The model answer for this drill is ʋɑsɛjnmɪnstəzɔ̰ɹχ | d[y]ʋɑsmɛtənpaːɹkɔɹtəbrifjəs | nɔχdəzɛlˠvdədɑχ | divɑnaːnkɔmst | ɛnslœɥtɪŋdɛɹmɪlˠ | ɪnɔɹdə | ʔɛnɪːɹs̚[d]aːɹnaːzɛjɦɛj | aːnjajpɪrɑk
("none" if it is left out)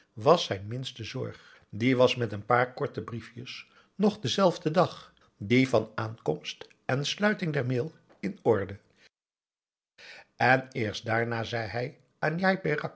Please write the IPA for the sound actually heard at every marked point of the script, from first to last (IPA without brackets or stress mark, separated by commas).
i, d